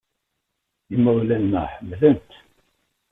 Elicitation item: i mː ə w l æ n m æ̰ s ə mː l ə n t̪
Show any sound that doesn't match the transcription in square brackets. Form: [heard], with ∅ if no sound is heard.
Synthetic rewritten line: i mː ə w l æ n m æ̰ [ħ] ə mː l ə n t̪